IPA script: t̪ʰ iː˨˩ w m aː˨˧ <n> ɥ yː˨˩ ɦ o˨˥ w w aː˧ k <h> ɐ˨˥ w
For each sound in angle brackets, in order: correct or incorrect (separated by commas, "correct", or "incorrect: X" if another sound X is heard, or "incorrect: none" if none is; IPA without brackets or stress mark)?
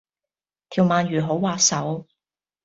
correct, incorrect: s